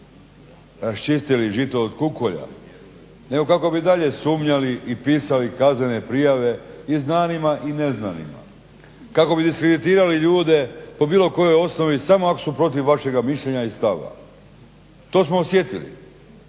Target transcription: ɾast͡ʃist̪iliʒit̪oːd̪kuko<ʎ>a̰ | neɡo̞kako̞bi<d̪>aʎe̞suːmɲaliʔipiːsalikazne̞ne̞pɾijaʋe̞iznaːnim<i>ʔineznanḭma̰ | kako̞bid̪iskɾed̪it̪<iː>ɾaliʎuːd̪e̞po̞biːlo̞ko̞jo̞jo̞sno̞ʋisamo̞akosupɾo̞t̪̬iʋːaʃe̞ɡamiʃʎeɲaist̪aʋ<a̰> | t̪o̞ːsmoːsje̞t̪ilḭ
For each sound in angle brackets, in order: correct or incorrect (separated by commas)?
correct, correct, incorrect, correct, correct